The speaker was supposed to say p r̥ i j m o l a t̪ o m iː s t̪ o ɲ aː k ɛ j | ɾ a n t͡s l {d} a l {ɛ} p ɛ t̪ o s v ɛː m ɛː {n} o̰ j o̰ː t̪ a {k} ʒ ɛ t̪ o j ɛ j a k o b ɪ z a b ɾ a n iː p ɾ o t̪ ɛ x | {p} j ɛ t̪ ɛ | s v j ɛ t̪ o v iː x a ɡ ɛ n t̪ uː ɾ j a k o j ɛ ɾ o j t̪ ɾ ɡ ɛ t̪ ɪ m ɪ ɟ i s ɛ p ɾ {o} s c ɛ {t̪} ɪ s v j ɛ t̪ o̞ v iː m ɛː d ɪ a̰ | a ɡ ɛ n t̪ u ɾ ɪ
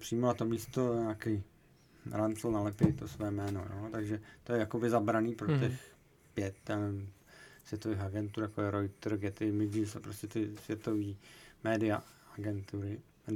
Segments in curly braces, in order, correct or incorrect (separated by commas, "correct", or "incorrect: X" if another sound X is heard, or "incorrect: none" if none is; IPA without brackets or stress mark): incorrect: n, correct, correct, incorrect: ɡ, correct, correct, correct